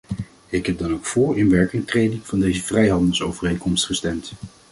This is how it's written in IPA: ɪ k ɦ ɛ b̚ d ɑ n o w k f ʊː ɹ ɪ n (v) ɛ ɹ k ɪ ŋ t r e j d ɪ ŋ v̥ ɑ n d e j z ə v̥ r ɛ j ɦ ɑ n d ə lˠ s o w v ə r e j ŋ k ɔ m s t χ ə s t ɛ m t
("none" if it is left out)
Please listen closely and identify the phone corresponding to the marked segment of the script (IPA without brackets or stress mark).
ʋ